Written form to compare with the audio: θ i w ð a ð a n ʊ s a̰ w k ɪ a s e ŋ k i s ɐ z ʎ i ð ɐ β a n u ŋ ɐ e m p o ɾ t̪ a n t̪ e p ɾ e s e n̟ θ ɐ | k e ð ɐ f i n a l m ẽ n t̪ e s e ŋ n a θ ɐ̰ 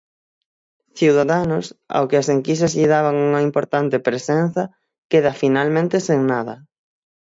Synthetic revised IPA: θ i w ð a ð a n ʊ s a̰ w k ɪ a s e ŋ k i s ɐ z ʎ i ð a β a ŋ u ŋ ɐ i m p o ɾ t̪ a n t̪ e p ɾ e s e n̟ θ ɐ | k e ð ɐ f i n a l m ẽ n t̪ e s e ŋ n a ð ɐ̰